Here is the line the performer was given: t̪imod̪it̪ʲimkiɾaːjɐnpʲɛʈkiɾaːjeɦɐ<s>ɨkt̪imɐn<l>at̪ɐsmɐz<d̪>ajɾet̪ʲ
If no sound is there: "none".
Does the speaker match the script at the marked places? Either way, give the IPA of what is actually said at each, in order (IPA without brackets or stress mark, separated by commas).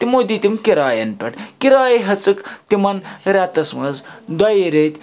t͡s, ɾ, d̪